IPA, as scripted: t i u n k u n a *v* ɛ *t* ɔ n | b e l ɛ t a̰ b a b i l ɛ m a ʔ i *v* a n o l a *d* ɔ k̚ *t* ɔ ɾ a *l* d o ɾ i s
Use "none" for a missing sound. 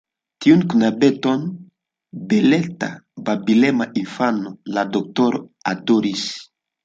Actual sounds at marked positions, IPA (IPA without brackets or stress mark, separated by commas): b, t, f, d, t, none